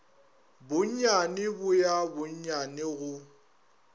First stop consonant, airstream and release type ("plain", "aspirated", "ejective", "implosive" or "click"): plain